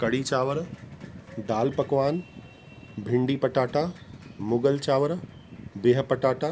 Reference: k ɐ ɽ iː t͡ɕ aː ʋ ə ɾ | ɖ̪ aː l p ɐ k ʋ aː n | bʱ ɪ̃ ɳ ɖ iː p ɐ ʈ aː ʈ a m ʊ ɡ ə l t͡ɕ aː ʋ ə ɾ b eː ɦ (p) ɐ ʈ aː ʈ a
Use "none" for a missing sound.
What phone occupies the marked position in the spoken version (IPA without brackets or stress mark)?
p